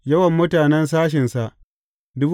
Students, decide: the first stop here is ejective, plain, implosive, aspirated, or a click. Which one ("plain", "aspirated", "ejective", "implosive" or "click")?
plain